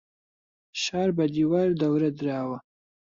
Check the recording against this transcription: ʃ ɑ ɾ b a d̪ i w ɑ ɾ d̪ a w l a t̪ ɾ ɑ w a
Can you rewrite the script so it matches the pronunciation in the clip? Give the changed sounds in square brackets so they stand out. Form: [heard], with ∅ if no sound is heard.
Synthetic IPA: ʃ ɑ ɾ b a d̪ i w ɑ ɾ d̪ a w [ɾ] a [d̪] ɾ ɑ w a